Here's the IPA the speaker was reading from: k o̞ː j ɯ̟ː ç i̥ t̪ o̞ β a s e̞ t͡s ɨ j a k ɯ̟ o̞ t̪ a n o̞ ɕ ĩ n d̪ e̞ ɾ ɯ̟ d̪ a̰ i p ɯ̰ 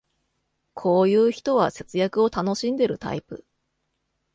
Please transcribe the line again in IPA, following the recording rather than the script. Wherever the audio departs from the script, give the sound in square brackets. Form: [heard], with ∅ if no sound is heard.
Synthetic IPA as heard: [kʰ] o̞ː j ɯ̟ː ç i̥ t̪ o̞ β a s e̞ t͡s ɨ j a k ɯ̟ o̞ t̪ a n o̞ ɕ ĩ n d̪ e̞ ɾ ɯ̟ [t̪] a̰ i p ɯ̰

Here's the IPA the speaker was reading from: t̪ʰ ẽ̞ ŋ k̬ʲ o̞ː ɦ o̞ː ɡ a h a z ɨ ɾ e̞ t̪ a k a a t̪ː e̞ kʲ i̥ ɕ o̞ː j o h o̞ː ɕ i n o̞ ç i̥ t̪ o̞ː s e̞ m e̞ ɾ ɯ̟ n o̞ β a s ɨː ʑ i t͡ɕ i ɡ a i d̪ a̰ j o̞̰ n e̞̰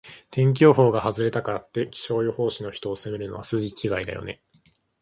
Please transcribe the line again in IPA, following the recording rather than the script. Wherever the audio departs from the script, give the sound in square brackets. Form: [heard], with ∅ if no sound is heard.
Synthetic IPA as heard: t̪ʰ ẽ̞ ŋ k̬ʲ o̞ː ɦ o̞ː ɡ a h a z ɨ ɾ e̞ t̪ a k a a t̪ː e̞ kʲ i̥ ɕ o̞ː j o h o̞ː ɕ i n o̞ ç i̥ t̪ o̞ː s e̞ m e̞ ɾ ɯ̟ n o̞ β a s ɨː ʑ i t͡ɕ i ɡ a i d̪ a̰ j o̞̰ n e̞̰

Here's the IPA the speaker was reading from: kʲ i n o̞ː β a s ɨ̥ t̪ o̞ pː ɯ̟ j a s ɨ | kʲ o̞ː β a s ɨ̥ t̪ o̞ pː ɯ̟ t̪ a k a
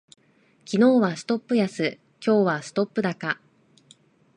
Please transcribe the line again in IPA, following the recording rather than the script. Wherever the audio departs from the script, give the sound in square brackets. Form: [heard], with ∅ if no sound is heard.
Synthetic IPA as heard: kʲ i n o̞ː β a s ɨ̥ t̪ o̞ pː ɯ̟ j a s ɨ | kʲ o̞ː β a s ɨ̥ t̪ o̞ pː ɯ̟ [d̪] a k a

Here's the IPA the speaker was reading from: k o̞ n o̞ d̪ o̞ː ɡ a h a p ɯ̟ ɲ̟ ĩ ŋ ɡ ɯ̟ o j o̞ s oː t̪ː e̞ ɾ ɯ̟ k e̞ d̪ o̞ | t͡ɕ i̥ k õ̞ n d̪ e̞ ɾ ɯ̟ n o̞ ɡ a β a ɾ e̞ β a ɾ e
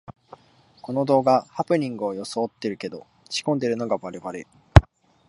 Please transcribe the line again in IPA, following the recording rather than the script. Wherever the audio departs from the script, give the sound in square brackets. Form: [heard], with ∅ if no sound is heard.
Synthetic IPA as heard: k o̞ n o̞ d̪ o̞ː ɡ a h a p ɯ̟ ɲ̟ ĩ ŋ ɡ ɯ̟ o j o̞ s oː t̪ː e̞ ɾ ɯ̟ k e̞ d̪ o̞ | t͡ɕ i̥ k õ̞ n d̪ e̞ ɾ ɯ̟ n o̞ ɡ a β a ɾ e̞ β a ɾ e

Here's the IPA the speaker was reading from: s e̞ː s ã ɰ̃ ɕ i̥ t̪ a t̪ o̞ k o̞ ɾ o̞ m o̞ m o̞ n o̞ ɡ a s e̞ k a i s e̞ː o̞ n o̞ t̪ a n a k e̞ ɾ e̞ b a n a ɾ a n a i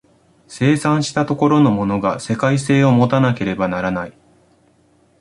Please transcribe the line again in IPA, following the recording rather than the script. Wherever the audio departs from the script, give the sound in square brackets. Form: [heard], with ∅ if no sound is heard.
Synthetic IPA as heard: s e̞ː s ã ɰ̃ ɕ i̥ t̪ a t̪ o̞ k o̞ ɾ o̞ [n] o̞ m o̞ n o̞ ɡ a s e̞ k a i s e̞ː o̞ [m] o̞ t̪ a n a k e̞ ɾ e̞ b a n a ɾ a n a i

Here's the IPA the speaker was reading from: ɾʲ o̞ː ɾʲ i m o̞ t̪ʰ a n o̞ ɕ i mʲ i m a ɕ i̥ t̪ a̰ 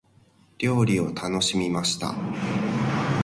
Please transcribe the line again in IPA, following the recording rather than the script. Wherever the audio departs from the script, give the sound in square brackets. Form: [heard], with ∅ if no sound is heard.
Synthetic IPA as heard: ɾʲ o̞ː ɾʲ i [∅] o̞ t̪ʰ a n o̞ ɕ i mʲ i m a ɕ i̥ t̪ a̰

